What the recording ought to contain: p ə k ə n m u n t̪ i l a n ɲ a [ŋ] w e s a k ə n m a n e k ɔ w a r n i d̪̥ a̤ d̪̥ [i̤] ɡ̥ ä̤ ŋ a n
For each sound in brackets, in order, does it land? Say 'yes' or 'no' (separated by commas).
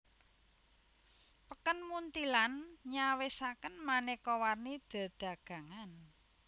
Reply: no, no